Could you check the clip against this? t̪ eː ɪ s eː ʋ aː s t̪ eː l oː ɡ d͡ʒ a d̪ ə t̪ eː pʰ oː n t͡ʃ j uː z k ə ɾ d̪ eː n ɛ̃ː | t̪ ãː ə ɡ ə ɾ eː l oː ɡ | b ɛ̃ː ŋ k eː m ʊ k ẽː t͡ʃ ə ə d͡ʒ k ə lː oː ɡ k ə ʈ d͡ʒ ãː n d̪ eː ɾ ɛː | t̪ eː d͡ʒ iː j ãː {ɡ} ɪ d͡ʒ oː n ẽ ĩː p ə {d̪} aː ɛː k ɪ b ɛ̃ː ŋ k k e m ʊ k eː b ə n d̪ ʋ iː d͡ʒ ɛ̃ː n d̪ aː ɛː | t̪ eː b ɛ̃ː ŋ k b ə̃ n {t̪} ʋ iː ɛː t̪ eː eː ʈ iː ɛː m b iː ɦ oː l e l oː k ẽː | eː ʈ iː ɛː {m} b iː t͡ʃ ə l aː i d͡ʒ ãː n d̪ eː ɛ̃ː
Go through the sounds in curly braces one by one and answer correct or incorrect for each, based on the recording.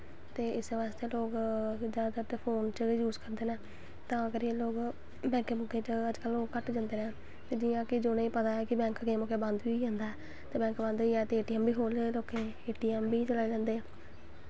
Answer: incorrect, incorrect, incorrect, correct

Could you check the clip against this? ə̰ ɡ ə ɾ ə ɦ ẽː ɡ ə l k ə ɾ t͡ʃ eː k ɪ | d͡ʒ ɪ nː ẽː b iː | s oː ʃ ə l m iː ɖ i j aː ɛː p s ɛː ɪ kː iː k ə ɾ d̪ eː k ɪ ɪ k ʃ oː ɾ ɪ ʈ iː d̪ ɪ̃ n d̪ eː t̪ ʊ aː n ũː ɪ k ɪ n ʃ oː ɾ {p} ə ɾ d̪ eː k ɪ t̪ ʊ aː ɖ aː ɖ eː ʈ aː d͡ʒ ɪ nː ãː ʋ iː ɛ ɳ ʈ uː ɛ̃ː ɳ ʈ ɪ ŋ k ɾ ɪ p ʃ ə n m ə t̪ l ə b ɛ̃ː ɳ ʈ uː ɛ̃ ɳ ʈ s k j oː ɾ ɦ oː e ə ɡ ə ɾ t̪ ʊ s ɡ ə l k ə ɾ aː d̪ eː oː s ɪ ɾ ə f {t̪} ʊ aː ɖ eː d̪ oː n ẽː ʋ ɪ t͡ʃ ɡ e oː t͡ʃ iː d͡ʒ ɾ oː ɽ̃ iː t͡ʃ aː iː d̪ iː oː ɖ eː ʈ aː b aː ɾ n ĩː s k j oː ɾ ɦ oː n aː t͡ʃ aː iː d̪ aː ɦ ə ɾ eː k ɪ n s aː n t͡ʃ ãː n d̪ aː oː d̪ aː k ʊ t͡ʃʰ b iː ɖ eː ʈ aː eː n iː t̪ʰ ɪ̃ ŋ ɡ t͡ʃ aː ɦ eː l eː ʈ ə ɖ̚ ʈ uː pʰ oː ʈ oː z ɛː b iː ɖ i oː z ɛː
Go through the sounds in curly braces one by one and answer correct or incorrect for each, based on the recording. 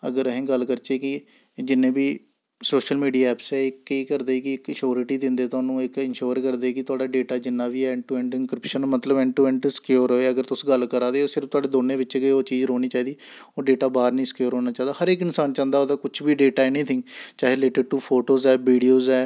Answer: incorrect, correct

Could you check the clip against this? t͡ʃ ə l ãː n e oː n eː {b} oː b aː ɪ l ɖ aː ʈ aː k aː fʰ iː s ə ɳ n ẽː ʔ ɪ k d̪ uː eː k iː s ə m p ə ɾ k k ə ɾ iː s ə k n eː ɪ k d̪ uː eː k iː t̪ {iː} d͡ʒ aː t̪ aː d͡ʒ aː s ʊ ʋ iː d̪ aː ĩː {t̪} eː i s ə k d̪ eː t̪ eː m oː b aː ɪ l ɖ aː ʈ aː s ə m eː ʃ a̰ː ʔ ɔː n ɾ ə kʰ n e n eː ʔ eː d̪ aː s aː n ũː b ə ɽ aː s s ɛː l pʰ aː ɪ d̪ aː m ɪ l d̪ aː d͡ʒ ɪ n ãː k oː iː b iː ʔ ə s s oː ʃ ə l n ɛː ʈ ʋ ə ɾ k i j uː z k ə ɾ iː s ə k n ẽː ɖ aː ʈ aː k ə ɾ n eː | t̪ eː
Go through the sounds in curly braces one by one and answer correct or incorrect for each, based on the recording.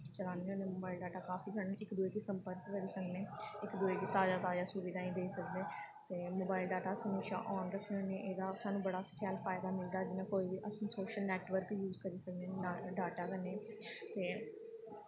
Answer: incorrect, incorrect, incorrect

